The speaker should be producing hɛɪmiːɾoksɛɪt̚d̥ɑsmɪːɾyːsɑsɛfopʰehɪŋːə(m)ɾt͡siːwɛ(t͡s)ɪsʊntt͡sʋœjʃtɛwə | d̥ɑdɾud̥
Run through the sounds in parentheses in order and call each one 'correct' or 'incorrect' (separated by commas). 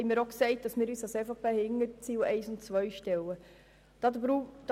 incorrect, incorrect